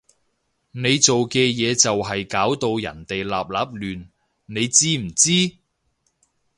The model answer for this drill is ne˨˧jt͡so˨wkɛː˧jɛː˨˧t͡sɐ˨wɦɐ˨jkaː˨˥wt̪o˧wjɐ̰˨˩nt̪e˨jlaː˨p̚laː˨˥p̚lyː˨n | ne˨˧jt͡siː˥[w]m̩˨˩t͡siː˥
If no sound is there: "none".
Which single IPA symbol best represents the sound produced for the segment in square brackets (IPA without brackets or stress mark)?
none